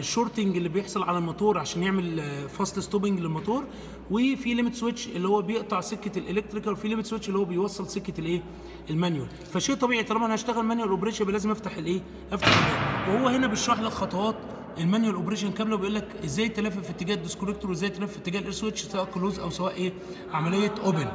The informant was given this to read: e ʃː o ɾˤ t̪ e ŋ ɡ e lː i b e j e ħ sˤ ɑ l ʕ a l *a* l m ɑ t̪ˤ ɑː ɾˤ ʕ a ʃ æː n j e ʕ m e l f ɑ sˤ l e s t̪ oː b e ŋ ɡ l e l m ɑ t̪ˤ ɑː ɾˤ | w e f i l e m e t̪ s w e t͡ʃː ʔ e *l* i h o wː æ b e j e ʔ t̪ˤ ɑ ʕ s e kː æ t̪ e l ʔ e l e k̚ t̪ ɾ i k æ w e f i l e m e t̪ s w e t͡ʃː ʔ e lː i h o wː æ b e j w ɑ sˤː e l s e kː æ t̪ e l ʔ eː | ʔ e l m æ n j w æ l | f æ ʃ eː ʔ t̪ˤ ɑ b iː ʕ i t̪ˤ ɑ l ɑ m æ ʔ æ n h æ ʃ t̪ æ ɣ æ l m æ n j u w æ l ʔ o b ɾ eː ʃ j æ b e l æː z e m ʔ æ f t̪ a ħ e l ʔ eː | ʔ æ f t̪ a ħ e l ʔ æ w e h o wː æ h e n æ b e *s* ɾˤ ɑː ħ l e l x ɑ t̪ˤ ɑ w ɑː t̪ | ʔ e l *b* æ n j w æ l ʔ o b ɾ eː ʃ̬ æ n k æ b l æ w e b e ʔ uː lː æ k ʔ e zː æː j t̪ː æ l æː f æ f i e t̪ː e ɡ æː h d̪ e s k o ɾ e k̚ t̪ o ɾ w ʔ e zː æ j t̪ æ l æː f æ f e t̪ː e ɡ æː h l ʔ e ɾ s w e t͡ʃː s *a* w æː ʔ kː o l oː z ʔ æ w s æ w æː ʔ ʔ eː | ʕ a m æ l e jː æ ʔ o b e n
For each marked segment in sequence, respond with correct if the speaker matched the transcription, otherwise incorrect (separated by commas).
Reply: incorrect, incorrect, incorrect, incorrect, incorrect